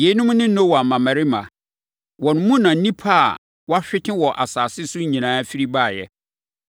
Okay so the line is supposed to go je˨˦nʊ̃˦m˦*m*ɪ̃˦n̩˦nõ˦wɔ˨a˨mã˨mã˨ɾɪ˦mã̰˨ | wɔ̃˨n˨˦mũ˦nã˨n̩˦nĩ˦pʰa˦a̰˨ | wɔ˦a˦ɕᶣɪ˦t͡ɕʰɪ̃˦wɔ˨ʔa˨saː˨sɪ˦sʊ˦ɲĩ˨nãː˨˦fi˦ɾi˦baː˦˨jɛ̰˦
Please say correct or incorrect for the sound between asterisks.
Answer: incorrect